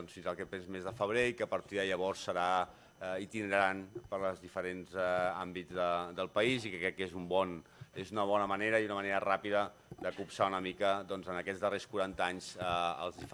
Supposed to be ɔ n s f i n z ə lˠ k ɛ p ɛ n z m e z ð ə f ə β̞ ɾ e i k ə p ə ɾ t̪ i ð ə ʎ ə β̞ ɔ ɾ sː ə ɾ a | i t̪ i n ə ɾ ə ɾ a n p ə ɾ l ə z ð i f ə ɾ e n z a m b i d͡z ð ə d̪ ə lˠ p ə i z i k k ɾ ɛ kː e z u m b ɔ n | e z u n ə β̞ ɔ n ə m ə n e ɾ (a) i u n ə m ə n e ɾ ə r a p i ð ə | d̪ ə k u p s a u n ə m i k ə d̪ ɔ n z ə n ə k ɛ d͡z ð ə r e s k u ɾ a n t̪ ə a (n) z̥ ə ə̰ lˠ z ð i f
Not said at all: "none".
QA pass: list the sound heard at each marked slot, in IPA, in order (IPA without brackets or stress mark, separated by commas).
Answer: ə, ɲ